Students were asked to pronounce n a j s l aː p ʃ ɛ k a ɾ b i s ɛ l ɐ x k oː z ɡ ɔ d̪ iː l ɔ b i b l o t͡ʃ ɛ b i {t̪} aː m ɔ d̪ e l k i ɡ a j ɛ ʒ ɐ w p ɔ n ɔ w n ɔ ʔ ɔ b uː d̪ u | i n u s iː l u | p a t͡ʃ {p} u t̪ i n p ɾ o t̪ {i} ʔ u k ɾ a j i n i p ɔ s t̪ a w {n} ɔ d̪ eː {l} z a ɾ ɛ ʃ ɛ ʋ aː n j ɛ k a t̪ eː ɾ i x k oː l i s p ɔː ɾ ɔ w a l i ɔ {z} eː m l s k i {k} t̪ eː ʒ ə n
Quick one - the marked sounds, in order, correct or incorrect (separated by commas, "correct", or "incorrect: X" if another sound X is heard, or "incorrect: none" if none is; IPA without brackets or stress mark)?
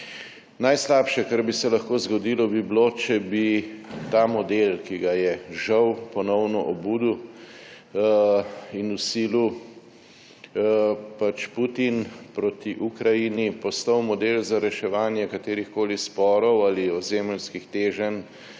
correct, correct, correct, incorrect: m, correct, correct, incorrect: x